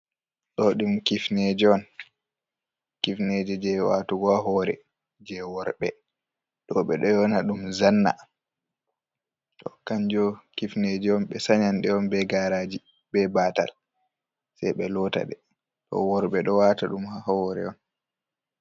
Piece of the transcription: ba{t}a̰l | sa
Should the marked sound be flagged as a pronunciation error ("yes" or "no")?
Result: no